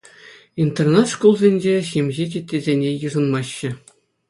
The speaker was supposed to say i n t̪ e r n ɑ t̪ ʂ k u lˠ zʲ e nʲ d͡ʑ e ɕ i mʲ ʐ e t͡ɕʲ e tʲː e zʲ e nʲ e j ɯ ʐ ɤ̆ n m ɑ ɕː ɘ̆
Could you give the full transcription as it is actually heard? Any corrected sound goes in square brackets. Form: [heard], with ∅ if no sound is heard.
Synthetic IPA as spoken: i n t̪ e r n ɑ t̪ ʂ k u lˠ zʲ e nʲ d͡ʑ e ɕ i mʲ [ʑ] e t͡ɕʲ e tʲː e zʲ e nʲ e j ɯ ʐ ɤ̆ n m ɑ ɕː ɘ̆

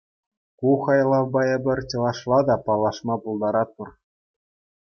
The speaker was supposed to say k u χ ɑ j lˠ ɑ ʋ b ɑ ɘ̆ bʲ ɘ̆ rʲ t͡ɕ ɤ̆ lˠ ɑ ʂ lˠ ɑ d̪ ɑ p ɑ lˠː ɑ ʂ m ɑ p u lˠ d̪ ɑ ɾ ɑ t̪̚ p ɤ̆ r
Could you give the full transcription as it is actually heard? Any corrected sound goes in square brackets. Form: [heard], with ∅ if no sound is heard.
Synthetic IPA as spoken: k u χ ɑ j lˠ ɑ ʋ b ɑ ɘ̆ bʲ ɘ̆ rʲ t͡ɕ ɤ̆ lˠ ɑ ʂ lˠ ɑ d̪ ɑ p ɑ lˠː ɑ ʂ m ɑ p u lˠ d̪ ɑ ɾ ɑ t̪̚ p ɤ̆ r

